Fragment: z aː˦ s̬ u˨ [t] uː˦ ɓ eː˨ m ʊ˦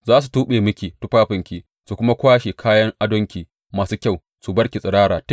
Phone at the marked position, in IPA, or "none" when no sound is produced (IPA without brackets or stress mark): t